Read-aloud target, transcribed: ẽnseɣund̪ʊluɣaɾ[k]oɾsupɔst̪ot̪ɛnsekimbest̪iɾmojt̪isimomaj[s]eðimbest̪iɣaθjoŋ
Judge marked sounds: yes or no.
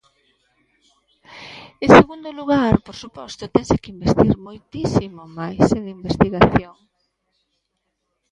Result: no, yes

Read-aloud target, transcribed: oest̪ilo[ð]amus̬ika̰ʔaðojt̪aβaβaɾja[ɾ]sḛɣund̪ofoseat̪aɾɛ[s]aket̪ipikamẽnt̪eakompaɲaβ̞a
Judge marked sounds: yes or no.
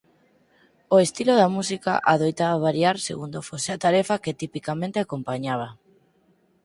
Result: yes, yes, no

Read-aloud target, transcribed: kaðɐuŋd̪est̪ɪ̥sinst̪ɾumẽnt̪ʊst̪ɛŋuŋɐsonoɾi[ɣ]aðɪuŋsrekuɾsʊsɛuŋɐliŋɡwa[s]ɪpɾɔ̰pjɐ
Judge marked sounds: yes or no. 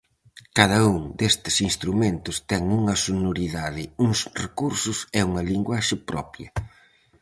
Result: no, no

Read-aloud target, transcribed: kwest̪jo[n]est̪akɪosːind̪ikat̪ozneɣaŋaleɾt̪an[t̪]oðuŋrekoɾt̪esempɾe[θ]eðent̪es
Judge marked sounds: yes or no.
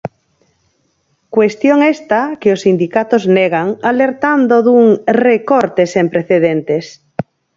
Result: no, no, yes

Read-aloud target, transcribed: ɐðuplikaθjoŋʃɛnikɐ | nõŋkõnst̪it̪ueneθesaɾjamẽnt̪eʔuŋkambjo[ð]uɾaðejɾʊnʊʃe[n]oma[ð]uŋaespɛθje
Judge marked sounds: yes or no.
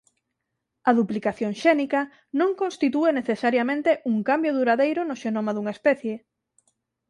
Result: yes, yes, yes

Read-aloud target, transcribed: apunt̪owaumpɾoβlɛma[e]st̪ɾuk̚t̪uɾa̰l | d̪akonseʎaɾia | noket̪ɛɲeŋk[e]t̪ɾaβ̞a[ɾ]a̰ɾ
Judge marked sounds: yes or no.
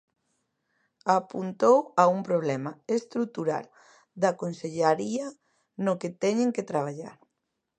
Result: yes, yes, no

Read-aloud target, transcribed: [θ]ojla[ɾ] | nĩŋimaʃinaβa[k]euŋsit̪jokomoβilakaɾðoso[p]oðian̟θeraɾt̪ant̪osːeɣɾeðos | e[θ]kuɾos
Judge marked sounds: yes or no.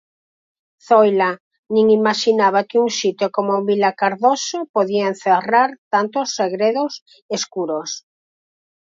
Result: yes, no, yes, yes, no

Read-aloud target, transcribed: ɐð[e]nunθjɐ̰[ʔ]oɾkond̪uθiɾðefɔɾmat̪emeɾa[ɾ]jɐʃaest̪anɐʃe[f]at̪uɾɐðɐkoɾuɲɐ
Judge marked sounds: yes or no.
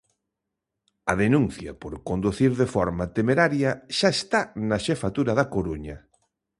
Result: yes, no, yes, yes

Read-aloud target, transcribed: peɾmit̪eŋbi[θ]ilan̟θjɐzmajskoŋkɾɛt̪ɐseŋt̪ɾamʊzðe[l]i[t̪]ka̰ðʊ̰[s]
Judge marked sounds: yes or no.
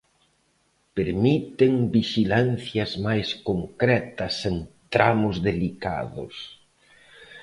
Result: no, yes, no, yes

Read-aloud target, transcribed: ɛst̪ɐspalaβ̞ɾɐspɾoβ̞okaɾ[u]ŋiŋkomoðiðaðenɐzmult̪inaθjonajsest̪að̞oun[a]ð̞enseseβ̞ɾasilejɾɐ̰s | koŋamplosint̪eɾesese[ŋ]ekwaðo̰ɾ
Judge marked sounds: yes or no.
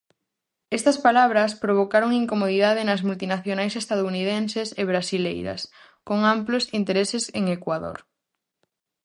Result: no, no, yes

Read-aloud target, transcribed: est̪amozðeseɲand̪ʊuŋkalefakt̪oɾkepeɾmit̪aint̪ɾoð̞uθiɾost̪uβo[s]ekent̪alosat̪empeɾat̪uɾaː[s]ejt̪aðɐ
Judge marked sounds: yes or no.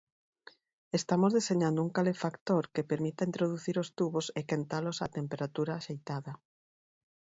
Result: yes, no

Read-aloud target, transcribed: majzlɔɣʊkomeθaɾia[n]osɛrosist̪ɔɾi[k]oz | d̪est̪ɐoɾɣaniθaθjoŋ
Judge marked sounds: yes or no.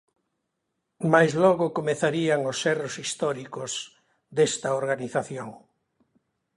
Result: no, yes

